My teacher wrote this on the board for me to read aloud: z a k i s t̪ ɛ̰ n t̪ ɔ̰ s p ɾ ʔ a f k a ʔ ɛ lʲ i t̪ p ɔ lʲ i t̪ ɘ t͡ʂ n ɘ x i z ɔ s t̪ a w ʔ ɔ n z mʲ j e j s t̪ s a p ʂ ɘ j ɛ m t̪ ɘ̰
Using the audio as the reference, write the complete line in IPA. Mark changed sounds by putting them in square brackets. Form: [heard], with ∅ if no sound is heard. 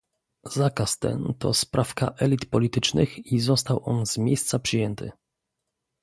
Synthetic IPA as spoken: z a k [a] s t̪ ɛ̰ n t̪ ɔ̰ s p ɾ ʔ a f k a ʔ ɛ lʲ i t̪ p ɔ lʲ i t̪ ɘ t͡ʂ n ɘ x i z ɔ s t̪ a w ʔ ɔ n z mʲ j e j s t̪ s a p ʂ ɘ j ɛ [n] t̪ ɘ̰